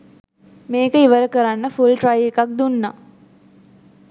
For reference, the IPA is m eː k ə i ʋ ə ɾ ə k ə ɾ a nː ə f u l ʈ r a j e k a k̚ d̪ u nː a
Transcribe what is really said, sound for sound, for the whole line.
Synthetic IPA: m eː k ə i ʋ ə ɾ ə k ə ɾ a nː ə f u l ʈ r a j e k a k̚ d̪ u nː a